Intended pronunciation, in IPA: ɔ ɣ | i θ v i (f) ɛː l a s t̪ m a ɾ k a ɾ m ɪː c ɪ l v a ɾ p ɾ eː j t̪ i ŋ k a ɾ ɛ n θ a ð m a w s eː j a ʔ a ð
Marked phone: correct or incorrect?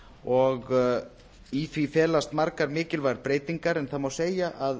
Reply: correct